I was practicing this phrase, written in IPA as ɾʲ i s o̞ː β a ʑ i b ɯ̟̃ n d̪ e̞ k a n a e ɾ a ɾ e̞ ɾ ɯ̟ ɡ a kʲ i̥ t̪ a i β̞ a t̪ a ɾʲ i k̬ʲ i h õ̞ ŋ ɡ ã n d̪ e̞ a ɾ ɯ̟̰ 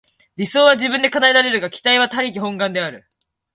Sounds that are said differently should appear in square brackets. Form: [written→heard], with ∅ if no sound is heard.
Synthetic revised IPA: ɾʲ i s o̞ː β a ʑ i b ɯ̟̃ n d̪ e̞ k a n a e ɾ a ɾ e̞ ɾ ɯ̟ ɡ a kʲ i̥ t̪ a i β̞ a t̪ a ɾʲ i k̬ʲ i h õ̞ ŋ ɡ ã n d̪ e̞ a ɾ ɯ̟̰